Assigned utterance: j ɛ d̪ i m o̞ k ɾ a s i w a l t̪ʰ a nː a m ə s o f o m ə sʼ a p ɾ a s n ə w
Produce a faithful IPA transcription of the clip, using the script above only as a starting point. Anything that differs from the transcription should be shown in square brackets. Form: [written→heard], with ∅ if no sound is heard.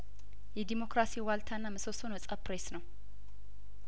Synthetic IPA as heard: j ɛ d̪ i m o̞ k ɾ a s i w a l t̪ʰ a nː a m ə s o [f→s] o [m→n] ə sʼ a p ɾ [a→e] s n ə w